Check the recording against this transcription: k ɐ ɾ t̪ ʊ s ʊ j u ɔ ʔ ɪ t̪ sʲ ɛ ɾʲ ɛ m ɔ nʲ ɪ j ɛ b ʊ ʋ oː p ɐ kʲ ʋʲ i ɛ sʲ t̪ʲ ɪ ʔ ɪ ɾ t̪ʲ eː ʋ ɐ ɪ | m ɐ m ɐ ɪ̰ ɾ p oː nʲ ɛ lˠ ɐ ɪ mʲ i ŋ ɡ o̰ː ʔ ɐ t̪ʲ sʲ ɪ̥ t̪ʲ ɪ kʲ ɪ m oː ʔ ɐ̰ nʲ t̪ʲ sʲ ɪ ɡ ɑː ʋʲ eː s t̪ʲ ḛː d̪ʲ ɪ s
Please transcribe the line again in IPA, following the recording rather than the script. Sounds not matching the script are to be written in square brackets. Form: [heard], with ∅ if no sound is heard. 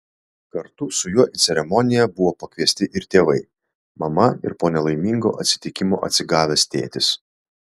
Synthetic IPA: k ɐ ɾ t̪ ʊ s ʊ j u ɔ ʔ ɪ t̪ sʲ ɛ ɾʲ ɛ m ɔ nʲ ɪ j ɛ b ʊ ʋ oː p ɐ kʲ ʋʲ i ɛ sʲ t̪ʲ ɪ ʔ ɪ ɾ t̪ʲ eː ʋ ɐ ɪ | m ɐ m ɐ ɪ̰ ɾ p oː nʲ ɛ lˠ ɐ ɪ mʲ i ŋ ɡ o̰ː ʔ ɐ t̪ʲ sʲ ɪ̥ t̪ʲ ɪ kʲ ɪ m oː ʔ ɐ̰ [∅] t̪ʲ sʲ ɪ ɡ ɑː ʋʲ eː s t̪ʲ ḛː [t̪ʲ] ɪ s